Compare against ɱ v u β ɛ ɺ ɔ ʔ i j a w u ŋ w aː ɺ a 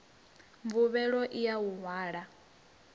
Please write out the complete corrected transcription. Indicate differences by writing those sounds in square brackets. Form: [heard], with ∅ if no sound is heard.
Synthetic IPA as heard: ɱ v u β ɛ ɺ ɔ ʔ i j a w u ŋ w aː ɺ a